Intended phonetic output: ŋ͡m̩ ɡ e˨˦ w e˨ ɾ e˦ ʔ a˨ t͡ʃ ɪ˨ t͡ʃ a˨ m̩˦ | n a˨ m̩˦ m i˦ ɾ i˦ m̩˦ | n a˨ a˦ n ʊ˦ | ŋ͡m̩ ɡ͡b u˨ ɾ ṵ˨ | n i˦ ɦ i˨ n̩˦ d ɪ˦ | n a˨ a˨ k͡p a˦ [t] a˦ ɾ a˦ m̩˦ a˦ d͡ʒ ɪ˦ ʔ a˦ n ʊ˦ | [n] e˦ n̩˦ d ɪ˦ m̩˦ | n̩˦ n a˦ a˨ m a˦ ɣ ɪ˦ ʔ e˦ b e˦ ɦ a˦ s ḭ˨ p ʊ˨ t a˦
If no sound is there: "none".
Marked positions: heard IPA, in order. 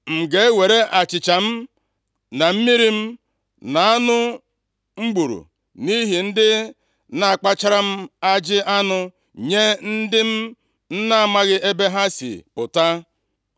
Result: t͡ʃ, ɲ

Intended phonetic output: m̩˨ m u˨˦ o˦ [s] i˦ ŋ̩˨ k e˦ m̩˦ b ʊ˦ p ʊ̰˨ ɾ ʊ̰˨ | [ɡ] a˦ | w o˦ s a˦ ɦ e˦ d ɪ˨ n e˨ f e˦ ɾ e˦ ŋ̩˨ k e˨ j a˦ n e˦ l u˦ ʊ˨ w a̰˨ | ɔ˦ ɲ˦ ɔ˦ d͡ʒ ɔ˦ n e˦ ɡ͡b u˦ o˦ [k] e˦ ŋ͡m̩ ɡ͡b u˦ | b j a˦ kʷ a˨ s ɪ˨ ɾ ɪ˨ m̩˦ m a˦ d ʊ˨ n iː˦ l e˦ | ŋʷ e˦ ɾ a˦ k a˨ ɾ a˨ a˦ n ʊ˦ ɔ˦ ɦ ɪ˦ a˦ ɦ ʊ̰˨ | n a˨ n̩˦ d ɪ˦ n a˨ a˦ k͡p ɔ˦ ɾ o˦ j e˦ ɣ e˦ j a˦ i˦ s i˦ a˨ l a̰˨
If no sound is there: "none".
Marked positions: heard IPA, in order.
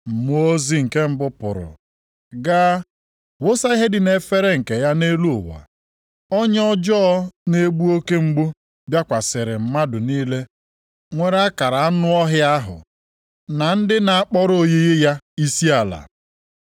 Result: z, ɡ, k

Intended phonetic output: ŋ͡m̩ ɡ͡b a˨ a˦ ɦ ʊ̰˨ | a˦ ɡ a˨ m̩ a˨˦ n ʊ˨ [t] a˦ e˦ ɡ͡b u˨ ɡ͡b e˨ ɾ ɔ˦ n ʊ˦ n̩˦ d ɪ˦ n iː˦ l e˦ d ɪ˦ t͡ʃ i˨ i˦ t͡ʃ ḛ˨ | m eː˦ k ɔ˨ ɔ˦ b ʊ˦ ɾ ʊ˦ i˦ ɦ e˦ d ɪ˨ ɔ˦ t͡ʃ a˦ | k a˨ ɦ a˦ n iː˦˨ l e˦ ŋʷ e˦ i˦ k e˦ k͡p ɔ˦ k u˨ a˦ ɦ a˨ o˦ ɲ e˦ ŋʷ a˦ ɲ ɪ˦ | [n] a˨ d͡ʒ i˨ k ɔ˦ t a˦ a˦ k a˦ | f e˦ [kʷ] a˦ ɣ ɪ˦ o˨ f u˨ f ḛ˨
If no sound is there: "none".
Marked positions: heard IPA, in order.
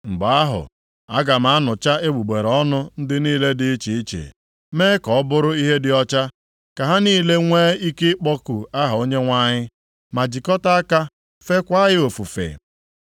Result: t͡ʃ, m, kʷ

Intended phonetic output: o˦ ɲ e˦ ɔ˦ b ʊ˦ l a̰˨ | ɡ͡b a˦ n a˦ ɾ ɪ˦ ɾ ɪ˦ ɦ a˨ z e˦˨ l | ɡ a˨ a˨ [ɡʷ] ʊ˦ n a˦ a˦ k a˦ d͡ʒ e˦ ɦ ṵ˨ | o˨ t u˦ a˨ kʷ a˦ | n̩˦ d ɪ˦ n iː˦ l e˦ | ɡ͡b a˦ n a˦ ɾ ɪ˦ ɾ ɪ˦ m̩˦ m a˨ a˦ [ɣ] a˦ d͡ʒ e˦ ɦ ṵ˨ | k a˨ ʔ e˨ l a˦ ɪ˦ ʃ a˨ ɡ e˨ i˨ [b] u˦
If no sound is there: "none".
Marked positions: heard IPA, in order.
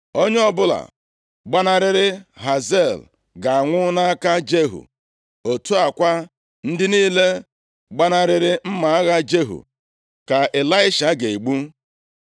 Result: ŋʷ, ɣ, ɡ͡b

